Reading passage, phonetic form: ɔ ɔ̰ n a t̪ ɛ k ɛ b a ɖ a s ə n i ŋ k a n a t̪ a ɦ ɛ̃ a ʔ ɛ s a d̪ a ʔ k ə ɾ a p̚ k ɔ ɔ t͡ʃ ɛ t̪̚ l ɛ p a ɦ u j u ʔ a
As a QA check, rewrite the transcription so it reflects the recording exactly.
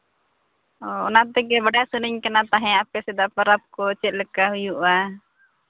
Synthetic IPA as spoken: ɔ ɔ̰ n a t̪ ɛ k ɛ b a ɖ a s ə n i ɲ k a n a t̪ a ɦ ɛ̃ a p ɛ s ɛ d̪ a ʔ p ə ɾ a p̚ k ɔ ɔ t͡ʃ ɛ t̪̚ l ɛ k a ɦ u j u ʔ a

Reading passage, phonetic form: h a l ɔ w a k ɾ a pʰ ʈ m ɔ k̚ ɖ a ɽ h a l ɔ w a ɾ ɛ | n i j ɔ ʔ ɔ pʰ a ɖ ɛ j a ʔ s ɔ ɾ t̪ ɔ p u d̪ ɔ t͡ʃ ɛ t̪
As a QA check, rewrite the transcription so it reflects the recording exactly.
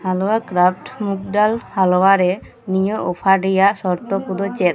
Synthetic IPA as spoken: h a l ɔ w a k ɾ a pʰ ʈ m u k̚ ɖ a l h a l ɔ w a ɾ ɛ | n i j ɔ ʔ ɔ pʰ a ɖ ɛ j a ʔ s ɔ ɾ t̪ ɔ p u d̪ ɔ t͡ʃ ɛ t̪

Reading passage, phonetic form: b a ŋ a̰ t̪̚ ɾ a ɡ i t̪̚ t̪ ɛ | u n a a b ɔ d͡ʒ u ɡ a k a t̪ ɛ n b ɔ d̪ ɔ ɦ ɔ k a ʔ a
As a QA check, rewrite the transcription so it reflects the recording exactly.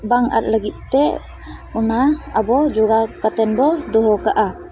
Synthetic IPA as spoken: b a ŋ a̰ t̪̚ l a ɡ i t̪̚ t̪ ɛ | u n a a b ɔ d͡ʒ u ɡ a k a t̪ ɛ n b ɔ d̪ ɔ ɦ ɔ k a ʔ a

